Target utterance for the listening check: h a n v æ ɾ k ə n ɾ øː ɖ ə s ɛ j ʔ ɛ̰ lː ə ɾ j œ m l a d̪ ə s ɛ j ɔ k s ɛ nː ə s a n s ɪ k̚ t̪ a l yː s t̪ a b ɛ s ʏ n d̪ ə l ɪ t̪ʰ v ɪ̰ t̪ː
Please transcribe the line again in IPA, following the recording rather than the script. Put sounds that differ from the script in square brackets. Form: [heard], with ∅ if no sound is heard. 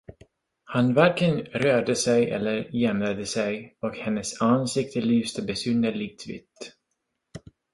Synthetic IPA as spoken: h a n v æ ɾ k ə n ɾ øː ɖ ə s ɛ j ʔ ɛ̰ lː ə ɾ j [ɛ] m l a d̪ ə s ɛ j ɔ k [h] ɛ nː ə s a n s ɪ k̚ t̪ [ə] l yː s t̪ [ə] b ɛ s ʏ n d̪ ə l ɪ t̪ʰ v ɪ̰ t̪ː